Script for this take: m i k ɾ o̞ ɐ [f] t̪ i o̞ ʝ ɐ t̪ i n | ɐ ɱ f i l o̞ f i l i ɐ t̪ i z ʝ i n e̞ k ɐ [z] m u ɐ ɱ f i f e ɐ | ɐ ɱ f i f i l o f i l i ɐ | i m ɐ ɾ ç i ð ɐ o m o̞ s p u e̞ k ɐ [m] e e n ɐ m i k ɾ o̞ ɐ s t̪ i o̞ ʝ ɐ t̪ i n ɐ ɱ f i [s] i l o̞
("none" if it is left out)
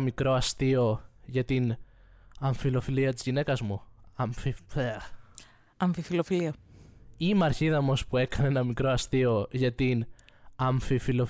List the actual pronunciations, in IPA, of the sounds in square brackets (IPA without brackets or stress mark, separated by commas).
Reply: s, z, n, f